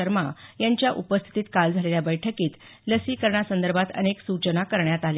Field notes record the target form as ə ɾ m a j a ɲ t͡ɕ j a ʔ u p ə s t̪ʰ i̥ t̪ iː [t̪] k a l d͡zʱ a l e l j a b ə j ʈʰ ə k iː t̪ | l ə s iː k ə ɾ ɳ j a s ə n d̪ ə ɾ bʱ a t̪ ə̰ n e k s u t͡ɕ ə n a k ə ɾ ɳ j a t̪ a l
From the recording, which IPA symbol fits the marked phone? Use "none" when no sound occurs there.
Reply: t̪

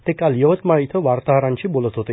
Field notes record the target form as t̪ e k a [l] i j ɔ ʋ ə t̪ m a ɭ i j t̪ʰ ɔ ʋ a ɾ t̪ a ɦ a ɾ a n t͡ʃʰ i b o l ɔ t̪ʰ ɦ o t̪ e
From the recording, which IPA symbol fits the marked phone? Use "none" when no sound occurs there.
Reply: l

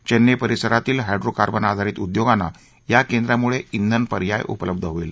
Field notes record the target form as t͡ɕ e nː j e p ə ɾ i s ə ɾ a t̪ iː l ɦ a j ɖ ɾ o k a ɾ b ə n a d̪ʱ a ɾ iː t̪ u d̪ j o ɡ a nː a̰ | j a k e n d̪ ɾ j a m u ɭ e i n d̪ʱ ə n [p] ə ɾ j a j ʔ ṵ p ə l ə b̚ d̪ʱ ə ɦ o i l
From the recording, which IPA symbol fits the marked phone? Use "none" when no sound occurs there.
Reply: p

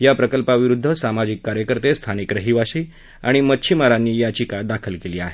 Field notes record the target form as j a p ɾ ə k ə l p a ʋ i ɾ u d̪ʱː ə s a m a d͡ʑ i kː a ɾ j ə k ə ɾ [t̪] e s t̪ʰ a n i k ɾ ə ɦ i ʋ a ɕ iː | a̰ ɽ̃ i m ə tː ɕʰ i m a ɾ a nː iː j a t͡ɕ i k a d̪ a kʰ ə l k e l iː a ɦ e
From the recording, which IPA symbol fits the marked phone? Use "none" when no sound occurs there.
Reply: t̪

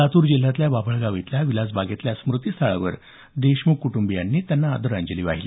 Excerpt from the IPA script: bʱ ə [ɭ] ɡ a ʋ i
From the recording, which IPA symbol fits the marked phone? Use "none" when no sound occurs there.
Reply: ɭ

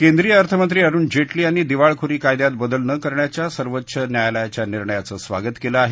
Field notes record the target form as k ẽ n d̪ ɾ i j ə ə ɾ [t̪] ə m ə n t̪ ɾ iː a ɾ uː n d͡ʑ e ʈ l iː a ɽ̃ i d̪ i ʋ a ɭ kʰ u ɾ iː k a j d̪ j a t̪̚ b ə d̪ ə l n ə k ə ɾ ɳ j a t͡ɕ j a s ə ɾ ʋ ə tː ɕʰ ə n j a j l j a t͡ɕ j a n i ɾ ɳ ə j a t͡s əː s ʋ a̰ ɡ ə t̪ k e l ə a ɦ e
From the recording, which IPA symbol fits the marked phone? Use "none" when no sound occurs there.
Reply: t̪ʰ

